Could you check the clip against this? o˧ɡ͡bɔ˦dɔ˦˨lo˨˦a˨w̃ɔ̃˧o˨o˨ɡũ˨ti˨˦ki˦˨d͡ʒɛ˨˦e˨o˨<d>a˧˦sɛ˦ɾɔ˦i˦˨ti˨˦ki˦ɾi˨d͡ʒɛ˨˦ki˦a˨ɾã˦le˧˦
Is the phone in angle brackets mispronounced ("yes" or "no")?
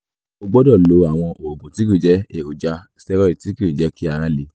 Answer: yes